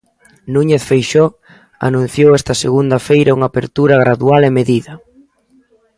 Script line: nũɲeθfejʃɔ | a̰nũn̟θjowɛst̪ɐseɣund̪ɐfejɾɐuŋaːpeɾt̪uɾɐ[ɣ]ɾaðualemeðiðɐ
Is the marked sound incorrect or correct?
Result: correct